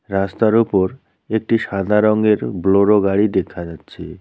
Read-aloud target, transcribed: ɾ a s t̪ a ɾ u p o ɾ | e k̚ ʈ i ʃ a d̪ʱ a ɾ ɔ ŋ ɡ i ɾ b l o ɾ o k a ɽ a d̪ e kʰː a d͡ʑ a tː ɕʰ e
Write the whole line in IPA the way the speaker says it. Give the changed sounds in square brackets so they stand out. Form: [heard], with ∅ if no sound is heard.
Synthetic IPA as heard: ɾ a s t̪ a ɾ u p o ɾ | e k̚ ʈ i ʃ a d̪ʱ a ɾ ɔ ŋ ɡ [e] ɾ b l o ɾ o [ɡ] a ɽ [i] d̪ e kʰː a d͡ʑ a tː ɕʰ e